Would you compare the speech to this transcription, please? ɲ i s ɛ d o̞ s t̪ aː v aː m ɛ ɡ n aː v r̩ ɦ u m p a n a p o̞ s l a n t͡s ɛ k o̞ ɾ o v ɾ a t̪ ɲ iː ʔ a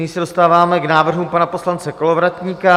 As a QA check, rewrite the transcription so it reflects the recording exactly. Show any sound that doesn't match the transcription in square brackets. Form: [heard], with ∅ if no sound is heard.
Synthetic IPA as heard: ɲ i s ɛ d o̞ s t̪ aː v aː m ɛ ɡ n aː v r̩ ɦ u m p a n a p o̞ s l a n t͡s ɛ k o̞ [l] o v ɾ a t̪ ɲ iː [k] a